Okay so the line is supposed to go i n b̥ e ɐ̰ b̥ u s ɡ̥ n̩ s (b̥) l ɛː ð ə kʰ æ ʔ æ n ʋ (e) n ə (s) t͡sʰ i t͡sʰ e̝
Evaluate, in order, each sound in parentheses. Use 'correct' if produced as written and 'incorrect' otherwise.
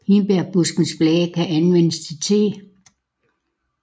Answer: correct, correct, correct

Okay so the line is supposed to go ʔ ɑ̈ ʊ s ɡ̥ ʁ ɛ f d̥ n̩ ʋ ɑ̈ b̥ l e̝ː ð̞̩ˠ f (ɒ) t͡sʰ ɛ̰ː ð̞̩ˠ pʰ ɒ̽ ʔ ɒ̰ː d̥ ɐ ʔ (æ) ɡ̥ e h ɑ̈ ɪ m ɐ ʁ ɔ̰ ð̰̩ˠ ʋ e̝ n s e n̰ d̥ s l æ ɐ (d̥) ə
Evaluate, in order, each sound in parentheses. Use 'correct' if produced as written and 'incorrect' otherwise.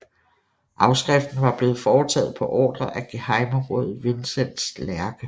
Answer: incorrect, correct, incorrect

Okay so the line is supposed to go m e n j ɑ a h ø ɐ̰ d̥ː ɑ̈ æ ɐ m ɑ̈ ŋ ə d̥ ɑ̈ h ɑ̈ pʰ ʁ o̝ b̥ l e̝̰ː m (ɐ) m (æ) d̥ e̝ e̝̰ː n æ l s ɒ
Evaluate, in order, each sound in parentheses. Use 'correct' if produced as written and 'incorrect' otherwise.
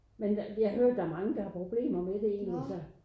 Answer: correct, incorrect

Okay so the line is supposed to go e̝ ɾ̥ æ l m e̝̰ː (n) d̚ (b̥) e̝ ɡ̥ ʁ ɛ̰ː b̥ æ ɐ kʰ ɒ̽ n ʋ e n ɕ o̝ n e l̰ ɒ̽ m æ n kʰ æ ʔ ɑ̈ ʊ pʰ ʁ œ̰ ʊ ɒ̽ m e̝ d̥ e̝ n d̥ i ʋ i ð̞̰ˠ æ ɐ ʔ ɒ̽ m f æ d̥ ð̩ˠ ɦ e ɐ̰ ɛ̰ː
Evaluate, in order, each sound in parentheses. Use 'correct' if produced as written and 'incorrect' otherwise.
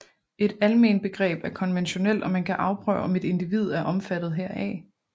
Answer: correct, correct

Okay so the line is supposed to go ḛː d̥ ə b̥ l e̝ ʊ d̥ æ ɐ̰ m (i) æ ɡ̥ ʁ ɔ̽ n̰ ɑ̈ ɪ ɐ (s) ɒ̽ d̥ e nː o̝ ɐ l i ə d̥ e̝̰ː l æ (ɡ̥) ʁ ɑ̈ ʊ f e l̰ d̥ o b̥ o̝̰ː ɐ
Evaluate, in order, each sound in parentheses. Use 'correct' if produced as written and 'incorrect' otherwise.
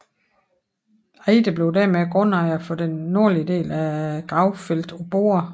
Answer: incorrect, incorrect, correct

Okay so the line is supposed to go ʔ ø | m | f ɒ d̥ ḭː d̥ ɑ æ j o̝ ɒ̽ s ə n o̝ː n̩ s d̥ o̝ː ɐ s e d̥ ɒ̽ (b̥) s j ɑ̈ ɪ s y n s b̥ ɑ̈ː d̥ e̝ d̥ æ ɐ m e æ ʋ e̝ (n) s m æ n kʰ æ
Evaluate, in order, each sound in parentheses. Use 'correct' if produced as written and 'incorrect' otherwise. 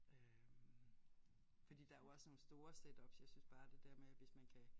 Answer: correct, incorrect

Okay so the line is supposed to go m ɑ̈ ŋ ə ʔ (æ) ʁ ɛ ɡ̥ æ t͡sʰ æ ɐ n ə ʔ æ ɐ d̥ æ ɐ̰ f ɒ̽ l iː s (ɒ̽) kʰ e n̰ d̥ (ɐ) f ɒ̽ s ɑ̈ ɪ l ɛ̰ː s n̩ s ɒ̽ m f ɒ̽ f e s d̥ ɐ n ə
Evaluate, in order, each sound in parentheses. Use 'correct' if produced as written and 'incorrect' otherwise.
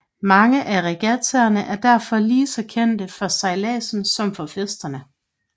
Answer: correct, correct, incorrect

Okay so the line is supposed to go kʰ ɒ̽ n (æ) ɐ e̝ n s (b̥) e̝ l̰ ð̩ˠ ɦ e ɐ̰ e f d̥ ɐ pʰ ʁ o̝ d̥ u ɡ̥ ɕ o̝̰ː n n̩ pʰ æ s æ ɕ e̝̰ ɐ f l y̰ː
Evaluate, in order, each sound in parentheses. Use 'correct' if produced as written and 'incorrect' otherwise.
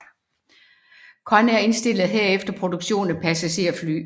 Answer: correct, incorrect

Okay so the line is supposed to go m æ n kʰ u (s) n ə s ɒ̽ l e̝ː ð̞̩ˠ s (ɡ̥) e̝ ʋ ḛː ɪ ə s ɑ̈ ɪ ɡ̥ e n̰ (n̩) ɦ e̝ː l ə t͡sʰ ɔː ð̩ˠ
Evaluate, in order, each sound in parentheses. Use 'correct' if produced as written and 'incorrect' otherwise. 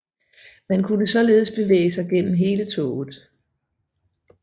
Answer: incorrect, incorrect, incorrect

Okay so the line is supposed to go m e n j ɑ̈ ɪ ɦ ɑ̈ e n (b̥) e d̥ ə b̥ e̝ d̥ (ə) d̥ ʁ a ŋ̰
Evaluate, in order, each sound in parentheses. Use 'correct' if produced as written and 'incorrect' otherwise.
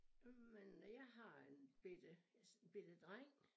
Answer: correct, correct

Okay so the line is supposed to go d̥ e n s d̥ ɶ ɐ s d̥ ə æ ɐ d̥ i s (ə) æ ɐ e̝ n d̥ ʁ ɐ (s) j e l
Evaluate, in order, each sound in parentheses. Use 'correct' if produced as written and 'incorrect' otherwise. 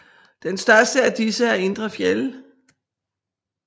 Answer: correct, incorrect

